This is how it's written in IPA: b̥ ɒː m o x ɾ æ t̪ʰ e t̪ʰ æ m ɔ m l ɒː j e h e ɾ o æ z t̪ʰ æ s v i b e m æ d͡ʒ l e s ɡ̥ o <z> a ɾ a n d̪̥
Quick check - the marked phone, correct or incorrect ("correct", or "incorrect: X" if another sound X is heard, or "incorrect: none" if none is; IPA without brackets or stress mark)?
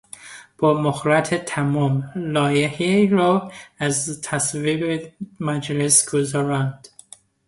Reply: correct